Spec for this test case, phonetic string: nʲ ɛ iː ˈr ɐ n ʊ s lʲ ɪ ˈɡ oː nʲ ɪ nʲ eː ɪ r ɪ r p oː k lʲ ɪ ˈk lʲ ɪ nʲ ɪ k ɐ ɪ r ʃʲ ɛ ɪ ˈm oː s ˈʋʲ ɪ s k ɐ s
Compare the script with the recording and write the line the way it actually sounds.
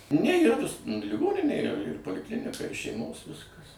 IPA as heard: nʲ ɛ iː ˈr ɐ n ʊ s lʲ ɪ ˈɡ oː nʲ ɪ nʲ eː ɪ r ɪ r p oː lʲ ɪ ˈk lʲ ɪ nʲ ɪ k ɐ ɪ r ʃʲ ɛ ɪ ˈm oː s ˈʋʲ ɪ s k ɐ s